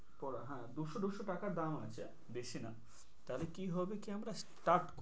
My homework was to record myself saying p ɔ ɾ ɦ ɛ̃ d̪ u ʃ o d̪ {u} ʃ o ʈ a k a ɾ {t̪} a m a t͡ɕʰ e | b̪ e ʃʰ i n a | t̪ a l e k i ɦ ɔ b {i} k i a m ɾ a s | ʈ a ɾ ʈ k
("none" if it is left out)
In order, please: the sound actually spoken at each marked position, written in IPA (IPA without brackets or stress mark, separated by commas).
u, d̪, e